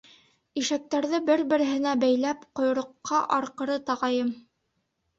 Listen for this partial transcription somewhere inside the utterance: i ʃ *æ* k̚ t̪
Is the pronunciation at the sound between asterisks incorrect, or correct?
correct